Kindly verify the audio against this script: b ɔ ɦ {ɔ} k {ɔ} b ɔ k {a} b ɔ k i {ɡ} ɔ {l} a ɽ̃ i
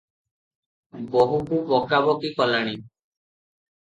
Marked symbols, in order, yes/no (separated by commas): no, no, yes, no, yes